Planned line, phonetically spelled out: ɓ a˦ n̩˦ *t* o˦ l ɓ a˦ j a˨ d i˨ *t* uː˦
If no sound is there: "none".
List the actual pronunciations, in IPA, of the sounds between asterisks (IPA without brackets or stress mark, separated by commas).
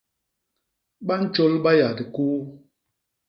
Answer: t͡ʃ, k